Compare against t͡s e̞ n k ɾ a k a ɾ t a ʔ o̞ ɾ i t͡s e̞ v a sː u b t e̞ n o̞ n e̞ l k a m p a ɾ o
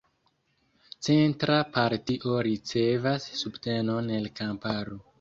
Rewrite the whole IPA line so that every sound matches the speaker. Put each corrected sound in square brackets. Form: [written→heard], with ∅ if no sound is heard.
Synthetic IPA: t͡s e̞ n [k→t] ɾ a [k→p] a ɾ t [a→i] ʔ o̞ ɾ i t͡s e̞ v a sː u b t e̞ n o̞ n e̞ l k a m p a ɾ o